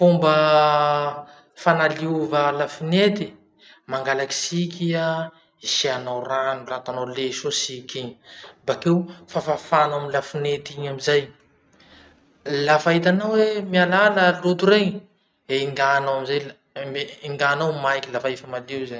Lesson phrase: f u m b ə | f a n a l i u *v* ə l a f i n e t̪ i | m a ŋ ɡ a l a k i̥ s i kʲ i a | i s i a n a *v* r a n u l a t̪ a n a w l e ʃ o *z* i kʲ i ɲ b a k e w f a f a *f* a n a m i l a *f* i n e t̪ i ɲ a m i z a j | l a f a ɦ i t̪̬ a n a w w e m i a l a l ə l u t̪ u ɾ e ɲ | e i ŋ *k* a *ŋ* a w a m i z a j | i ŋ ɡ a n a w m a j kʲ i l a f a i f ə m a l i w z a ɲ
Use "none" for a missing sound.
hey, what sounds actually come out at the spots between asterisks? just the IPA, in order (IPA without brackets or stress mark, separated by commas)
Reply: v, w, s, f, f, ɡ, n